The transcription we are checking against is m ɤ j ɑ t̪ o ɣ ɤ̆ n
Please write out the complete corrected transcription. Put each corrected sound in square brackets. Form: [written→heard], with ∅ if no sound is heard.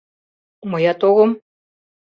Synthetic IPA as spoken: m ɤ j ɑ t̪ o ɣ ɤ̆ [n→m]

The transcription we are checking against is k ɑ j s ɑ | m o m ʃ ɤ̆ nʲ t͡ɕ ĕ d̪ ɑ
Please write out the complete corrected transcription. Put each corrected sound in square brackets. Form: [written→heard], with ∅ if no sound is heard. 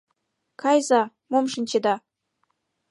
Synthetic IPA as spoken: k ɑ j [s→z] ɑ | m o m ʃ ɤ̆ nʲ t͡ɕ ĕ d̪ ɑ

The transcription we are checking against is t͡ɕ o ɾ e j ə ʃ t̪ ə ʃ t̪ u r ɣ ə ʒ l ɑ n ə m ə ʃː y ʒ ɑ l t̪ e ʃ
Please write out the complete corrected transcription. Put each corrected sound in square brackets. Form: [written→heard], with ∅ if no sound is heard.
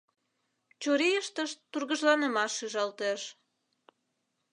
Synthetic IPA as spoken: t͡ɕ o ɾ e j ə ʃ t̪ ə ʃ t̪ u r ɣ ə ʒ l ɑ n ə m [ə→ɑ] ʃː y ʒ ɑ l t̪ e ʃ

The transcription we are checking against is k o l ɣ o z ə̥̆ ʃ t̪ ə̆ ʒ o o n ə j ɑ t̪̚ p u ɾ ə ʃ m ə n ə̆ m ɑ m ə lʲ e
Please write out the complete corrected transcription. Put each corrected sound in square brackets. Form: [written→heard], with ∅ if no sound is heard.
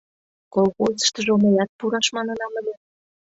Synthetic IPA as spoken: k o l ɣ o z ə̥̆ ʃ t̪ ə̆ ʒ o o [n→m] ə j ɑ t̪̚ p u ɾ [ə→ɑ] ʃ m [ə→ɑ] n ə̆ [m→n] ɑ m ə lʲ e

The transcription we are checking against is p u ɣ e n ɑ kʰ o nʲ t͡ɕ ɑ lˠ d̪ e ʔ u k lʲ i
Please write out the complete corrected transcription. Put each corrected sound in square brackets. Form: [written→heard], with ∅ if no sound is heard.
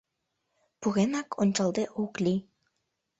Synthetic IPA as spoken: p u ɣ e n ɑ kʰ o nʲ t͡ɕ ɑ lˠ d̪ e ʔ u k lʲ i

